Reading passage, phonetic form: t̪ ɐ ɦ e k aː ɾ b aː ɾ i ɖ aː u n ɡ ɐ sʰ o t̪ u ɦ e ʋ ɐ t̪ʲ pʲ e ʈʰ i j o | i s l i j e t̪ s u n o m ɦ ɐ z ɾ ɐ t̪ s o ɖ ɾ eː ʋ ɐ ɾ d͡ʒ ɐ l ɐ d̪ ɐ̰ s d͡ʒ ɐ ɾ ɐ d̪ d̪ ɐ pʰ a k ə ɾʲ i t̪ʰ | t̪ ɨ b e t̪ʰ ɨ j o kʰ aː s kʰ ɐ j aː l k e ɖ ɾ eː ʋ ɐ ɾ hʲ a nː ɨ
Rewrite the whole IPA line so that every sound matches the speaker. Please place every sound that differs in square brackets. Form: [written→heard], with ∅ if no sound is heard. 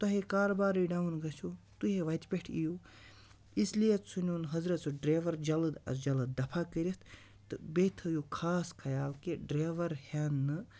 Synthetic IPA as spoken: t̪ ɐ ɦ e k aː ɾ b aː ɾ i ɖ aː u n ɡ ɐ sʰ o t̪ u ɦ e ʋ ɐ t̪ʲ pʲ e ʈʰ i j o | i s l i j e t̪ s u n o [m→n] ɦ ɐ z ɾ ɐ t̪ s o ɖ ɾ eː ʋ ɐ ɾ d͡ʒ ɐ l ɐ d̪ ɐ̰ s d͡ʒ ɐ [ɾ→l] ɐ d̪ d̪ ɐ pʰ a k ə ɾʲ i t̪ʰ | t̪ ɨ b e t̪ʰ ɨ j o kʰ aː s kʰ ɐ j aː l k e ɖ ɾ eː ʋ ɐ ɾ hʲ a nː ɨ